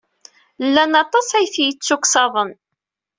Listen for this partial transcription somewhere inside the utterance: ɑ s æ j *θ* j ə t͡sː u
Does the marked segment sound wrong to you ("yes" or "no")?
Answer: no